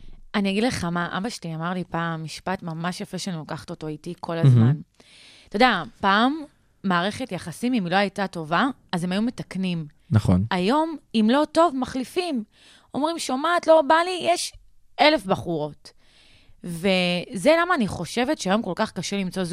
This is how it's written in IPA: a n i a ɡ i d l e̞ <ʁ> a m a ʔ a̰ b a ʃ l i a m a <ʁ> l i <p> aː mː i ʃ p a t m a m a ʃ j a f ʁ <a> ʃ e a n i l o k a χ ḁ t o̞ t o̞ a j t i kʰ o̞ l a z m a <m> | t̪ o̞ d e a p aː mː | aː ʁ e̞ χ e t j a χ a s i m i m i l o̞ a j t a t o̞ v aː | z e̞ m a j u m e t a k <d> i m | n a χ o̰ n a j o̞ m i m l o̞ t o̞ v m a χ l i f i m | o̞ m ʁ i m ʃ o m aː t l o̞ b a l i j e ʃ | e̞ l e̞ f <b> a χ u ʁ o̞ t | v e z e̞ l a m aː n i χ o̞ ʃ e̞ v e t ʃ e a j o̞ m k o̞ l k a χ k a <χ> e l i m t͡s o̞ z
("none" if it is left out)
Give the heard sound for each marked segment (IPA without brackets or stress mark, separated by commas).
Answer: χ, ʁ, p, e, n, n, b, ʃ